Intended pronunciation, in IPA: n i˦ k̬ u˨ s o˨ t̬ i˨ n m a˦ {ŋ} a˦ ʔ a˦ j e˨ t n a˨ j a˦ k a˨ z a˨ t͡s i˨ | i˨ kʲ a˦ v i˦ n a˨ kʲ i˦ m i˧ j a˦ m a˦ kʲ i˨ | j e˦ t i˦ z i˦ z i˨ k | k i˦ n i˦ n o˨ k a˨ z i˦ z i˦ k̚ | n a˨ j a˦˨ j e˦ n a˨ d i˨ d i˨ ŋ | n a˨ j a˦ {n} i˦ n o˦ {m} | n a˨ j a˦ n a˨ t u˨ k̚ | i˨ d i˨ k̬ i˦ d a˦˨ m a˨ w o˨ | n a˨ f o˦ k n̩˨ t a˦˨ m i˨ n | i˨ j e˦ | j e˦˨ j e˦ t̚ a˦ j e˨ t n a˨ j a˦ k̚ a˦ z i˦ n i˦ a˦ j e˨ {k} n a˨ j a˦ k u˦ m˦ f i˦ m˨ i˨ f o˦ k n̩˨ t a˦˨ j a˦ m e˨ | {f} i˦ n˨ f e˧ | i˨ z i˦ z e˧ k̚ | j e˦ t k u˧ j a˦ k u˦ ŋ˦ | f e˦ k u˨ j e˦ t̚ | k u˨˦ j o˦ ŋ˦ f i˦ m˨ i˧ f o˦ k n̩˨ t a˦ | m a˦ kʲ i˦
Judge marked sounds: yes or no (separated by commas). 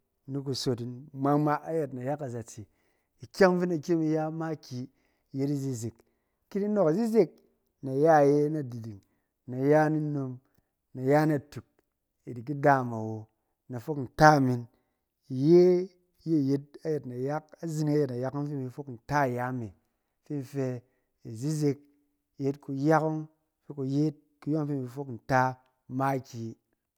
no, yes, yes, no, yes